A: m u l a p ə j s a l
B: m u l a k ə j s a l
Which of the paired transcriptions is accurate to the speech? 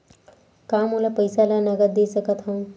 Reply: A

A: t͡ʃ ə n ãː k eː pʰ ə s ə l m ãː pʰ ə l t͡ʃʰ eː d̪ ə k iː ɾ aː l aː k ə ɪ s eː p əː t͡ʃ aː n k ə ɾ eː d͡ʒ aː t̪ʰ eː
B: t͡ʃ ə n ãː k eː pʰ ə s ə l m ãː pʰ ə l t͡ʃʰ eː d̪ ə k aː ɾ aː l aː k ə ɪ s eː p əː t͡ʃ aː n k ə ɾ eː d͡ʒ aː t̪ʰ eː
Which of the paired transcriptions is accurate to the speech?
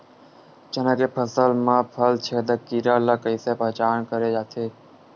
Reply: A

